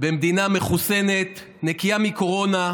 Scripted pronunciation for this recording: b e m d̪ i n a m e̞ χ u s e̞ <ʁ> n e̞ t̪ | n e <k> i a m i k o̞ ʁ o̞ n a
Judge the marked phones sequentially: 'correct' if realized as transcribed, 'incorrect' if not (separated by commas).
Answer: incorrect, correct